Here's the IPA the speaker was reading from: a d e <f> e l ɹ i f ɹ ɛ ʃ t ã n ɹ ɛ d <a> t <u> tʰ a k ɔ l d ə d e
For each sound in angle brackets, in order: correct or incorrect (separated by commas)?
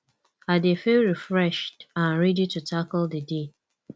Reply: correct, incorrect, correct